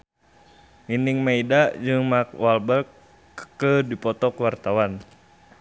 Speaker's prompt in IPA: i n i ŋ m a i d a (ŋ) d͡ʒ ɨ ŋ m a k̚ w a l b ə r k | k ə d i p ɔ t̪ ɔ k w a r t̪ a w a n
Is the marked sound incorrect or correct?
incorrect